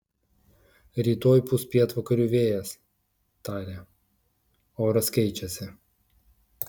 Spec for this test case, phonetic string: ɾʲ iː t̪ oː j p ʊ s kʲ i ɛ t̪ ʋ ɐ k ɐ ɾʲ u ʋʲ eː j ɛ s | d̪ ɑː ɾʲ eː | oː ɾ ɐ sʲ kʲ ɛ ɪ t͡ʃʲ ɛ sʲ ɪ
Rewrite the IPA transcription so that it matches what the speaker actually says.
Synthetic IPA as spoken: ɾʲ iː t̪ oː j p ʊ s pʲ i ɛ t̪ ʋ ɐ k ɐ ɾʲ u ʋʲ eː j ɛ s | t̪ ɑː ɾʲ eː | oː ɾ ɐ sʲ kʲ ɛ ɪ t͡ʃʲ ɛ sʲ ɪ